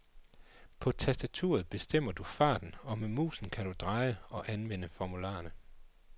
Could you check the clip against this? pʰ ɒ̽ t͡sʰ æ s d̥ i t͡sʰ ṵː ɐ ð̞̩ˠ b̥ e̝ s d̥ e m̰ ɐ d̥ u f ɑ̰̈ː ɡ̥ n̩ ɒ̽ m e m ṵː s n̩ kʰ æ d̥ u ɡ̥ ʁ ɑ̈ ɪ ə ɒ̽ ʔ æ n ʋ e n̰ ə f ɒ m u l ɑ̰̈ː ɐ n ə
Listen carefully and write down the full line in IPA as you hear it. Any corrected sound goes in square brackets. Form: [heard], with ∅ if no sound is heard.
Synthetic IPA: pʰ ɒ̽ t͡sʰ æ s d̥ [æ] t͡sʰ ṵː ɐ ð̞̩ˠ b̥ e̝ s d̥ e m̰ ɐ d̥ u f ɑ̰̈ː [d̥] n̩ ɒ̽ m e m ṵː s n̩ kʰ æ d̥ u [d̥] ʁ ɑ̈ ɪ ə ɒ̽ ʔ æ n ʋ e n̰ ə f ɒ m u l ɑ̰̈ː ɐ n ə